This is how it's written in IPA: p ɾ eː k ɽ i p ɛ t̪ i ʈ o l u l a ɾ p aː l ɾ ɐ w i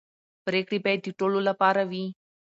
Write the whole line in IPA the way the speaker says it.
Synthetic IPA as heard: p ɾ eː k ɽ i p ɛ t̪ i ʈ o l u l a p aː ɾ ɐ ʋ i